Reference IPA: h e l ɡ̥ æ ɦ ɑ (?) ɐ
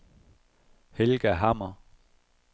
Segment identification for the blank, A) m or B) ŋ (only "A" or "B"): A